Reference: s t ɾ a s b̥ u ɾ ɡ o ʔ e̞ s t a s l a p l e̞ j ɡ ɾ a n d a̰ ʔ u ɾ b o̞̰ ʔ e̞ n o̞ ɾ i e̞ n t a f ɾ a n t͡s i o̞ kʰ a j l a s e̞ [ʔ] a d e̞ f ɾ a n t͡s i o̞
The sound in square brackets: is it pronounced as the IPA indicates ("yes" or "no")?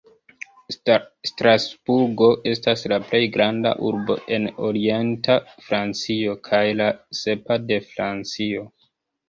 no